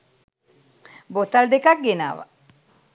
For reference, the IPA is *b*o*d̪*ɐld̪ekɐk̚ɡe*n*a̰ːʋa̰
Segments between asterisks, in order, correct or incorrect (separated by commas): correct, incorrect, correct